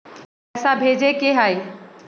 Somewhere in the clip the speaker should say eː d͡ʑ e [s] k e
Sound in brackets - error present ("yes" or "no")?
yes